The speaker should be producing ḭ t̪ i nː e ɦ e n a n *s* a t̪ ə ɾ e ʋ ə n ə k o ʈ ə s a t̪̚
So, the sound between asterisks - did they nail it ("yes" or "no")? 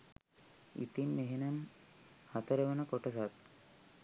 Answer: no